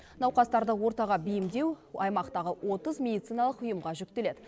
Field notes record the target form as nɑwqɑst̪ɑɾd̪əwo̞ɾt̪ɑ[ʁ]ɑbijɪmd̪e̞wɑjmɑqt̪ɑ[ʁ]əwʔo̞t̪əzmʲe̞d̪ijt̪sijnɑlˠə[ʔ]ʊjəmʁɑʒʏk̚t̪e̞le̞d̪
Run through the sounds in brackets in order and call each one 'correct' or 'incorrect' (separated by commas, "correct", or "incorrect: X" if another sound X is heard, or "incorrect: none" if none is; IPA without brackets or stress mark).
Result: correct, correct, incorrect: q